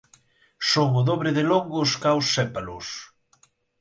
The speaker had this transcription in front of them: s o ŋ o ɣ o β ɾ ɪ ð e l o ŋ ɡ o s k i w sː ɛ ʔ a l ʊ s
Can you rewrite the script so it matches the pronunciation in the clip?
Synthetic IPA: s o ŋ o ð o β ɾ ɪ ð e l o ŋ ɡ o s k a w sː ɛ p a l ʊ s